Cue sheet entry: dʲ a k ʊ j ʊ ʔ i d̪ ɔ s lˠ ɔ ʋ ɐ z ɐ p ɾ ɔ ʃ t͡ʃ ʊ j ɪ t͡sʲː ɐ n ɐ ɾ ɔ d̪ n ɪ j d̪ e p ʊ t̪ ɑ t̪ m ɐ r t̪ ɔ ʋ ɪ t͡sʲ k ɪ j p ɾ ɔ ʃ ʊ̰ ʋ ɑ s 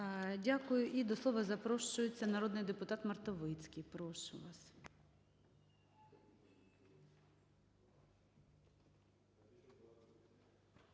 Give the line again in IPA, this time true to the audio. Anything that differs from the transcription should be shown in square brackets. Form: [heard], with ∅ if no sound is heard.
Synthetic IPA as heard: dʲ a k ʊ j ʊ ʔ i d̪ ɔ s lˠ ɔ ʋ ɐ z ɐ p ɾ ɔ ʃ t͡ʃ ʊ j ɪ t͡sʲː ɐ n ɐ ɾ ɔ d̪ n ɪ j d̪ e p ʊ t̪ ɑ t̪ m ɐ r t̪ ɔ ʋ ɪ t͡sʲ k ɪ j p ɾ ɔ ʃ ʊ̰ ʋ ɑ s

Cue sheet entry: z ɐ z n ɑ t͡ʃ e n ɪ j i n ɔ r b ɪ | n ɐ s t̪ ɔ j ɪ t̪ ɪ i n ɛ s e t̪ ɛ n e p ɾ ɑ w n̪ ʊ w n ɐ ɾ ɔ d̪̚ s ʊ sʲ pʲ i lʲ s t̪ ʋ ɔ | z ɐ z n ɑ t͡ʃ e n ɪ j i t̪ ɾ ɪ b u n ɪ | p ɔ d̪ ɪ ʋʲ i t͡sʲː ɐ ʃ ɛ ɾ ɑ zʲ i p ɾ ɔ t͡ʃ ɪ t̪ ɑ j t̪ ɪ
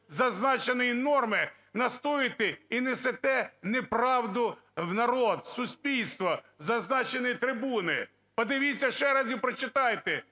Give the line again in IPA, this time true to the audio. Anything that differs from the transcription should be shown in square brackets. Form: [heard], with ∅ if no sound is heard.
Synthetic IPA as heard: z ɐ z n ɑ t͡ʃ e n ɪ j i n ɔ r [m] ɪ | n ɐ s t̪ ɔ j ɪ t̪ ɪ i n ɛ s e t̪ ɛ n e p ɾ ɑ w [d̪] ʊ w n ɐ ɾ ɔ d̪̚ s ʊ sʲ pʲ i lʲ s t̪ ʋ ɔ | z ɐ z n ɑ t͡ʃ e n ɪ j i t̪ ɾ ɪ b u n ɪ | p ɔ d̪ ɪ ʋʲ i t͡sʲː ɐ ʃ ɛ ɾ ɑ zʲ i p ɾ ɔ t͡ʃ ɪ t̪ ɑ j t̪ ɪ

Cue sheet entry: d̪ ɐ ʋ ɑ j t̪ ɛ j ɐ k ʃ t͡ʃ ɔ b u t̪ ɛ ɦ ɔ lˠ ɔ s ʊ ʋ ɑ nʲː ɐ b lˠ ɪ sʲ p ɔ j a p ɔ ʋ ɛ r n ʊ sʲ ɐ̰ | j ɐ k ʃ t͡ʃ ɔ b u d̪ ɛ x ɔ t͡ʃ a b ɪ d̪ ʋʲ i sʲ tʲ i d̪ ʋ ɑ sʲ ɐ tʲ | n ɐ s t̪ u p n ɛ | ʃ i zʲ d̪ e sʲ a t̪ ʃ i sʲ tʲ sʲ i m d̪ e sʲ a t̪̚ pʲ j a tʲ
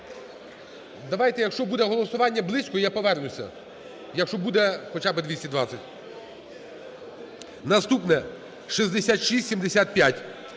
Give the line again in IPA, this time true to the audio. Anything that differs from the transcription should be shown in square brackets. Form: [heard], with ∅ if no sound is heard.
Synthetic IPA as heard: d̪ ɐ ʋ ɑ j t̪ ɛ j ɐ k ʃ t͡ʃ ɔ b u [d̪] ɛ ɦ ɔ lˠ ɔ s ʊ ʋ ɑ nʲː ɐ b lˠ ɪ sʲ [k] ɔ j a p ɔ ʋ ɛ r n ʊ sʲ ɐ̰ | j ɐ k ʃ t͡ʃ ɔ b u d̪ ɛ x ɔ t͡ʃ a b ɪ d̪ ʋʲ i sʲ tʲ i d̪ ʋ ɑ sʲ ɐ tʲ | n ɐ s t̪ u p n ɛ | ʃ i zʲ d̪ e sʲ a t̪ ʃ i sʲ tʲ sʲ i m d̪ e sʲ a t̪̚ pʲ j a tʲ

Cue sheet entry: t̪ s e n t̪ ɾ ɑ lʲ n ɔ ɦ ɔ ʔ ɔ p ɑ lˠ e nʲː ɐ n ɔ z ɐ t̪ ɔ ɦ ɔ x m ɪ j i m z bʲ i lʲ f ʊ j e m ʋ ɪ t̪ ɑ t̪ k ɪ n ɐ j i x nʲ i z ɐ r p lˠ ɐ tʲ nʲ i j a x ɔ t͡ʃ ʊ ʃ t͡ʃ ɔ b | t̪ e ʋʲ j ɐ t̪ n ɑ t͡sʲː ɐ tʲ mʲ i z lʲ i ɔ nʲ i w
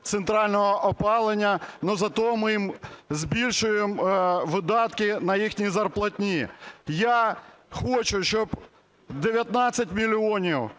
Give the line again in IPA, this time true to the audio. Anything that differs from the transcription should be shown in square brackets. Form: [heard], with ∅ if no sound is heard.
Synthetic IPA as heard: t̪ s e n t̪ ɾ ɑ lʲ n ɔ ɦ ɔ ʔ ɔ p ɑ lˠ e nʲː ɐ n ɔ z ɐ t̪ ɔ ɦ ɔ [∅] m ɪ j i m z bʲ i lʲ [ʃ] ʊ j e m ʋ ɪ [d̪] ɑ t̪ k ɪ n ɐ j i x nʲ i z ɐ r p lˠ ɐ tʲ nʲ i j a x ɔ t͡ʃ ʊ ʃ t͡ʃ ɔ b | [d̪] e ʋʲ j ɐ t̪ n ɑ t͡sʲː ɐ tʲ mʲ i [∅] lʲ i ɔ nʲ i w

